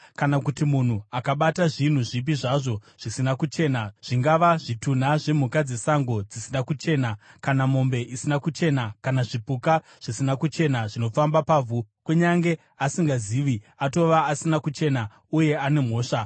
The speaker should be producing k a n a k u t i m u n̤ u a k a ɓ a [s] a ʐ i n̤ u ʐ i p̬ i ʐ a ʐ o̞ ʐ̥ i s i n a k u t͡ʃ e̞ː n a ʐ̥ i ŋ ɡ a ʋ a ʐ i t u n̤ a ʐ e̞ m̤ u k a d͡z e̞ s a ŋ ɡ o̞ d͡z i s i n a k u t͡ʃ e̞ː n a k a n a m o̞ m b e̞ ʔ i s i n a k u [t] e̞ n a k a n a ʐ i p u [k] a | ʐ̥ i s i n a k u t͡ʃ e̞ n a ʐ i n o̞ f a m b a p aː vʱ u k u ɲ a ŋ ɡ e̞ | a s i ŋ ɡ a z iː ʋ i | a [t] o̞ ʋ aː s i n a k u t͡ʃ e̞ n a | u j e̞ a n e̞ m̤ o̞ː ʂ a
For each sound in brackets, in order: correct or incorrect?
incorrect: t, incorrect: t͡ʃ, correct, correct

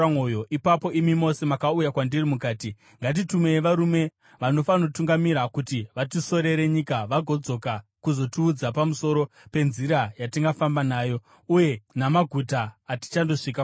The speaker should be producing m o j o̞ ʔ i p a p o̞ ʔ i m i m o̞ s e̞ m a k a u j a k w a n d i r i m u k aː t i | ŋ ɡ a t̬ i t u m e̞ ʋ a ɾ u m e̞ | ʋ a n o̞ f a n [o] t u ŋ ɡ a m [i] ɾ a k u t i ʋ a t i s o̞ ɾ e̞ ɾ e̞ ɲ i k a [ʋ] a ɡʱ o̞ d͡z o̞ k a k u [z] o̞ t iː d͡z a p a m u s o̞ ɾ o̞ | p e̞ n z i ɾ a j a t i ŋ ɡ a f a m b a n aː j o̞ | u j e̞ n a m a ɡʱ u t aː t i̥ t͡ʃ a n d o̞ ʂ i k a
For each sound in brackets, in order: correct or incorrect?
correct, correct, correct, correct

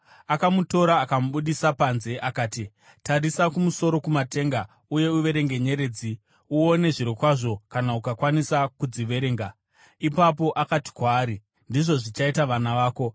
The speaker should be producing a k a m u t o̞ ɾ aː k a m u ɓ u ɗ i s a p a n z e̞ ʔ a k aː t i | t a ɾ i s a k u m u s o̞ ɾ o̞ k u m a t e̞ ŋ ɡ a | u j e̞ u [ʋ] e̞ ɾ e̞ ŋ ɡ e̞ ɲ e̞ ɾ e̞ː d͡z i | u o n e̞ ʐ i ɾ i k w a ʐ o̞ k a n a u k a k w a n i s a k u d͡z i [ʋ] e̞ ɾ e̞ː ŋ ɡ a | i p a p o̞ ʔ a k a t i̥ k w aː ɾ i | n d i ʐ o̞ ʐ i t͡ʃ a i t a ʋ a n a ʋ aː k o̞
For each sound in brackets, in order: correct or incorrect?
correct, correct

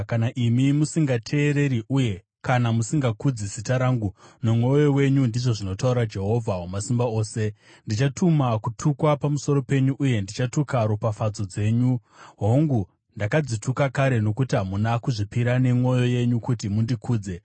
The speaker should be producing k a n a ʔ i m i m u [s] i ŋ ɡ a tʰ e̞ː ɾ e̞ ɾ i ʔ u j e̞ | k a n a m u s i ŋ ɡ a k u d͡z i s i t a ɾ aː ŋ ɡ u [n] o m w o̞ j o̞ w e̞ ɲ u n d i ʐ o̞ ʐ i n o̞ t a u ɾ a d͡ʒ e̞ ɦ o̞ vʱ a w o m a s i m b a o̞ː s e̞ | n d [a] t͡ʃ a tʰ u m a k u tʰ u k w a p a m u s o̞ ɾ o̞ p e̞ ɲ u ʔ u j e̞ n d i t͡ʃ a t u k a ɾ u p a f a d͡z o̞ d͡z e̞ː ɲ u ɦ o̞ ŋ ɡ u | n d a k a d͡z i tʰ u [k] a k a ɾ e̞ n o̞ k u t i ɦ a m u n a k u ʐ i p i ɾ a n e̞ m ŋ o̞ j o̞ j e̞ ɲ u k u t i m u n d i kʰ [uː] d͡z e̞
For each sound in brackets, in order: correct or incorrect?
correct, correct, incorrect: i, correct, correct

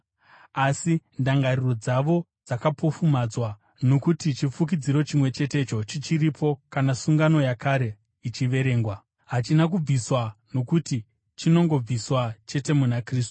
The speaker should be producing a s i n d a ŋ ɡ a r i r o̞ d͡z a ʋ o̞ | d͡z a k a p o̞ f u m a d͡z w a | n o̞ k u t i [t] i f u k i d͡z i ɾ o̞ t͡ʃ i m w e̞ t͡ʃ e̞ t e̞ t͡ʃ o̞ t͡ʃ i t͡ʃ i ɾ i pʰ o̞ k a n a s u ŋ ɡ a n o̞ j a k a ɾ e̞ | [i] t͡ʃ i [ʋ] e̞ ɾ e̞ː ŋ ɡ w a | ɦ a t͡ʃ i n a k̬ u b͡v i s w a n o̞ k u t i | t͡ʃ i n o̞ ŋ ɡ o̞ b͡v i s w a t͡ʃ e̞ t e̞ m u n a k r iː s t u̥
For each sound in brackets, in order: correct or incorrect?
incorrect: t͡ʃ, correct, correct

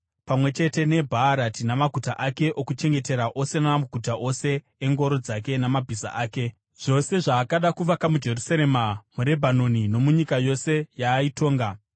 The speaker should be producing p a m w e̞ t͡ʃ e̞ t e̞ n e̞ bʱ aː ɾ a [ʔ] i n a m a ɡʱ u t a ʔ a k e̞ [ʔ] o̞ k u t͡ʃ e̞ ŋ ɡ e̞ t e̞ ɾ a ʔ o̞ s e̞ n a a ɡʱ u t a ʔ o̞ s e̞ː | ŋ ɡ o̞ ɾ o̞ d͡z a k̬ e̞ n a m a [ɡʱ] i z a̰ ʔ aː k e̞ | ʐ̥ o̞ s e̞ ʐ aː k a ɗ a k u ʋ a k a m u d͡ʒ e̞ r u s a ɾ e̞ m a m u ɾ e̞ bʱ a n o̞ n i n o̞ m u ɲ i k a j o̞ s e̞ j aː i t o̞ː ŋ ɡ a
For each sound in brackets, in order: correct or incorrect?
incorrect: t, correct, incorrect: bʱ

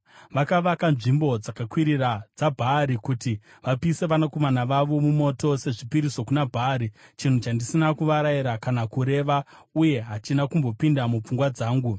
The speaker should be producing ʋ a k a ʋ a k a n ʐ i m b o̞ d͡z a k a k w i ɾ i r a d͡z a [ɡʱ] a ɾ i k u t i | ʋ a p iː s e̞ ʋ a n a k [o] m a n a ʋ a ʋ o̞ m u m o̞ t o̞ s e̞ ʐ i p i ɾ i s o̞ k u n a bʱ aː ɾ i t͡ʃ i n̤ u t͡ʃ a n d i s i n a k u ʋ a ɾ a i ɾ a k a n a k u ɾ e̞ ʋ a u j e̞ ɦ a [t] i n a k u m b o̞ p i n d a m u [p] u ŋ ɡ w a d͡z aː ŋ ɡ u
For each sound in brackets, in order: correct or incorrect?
incorrect: bʱ, correct, incorrect: t͡ʃ, incorrect: p͡f

